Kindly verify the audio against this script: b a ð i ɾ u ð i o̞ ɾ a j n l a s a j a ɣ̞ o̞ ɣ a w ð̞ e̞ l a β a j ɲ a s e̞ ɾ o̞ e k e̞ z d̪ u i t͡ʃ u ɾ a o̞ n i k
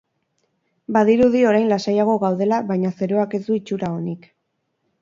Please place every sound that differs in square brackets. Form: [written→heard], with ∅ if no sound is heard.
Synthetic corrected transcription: b a ð i ɾ u ð i o̞ ɾ a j n l a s a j a ɣ̞ o̞ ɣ a w ð̞ e̞ l a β a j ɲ a s e̞ ɾ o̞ [e→a] k e̞ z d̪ u i t͡ʃ u ɾ a o̞ n i k